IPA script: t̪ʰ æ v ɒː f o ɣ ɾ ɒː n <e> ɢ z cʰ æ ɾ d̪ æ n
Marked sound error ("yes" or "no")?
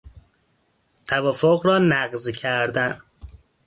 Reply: yes